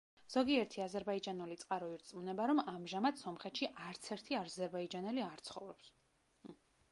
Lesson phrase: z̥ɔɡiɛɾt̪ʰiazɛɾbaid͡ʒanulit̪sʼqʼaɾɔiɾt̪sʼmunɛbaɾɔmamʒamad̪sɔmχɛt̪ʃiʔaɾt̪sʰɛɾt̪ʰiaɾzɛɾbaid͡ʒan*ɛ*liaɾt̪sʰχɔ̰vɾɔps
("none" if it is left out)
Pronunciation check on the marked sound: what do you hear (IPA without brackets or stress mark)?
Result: ɛ